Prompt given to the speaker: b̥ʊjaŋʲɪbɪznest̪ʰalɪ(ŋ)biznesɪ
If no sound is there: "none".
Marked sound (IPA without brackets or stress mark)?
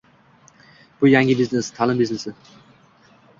m